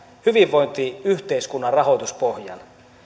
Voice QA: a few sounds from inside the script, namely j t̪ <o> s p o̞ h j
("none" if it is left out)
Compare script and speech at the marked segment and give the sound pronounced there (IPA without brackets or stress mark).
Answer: u